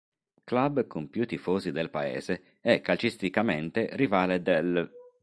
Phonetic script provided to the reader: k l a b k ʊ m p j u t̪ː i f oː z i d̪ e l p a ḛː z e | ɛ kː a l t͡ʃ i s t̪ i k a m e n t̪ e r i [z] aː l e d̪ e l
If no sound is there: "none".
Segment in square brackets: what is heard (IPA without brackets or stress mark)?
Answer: v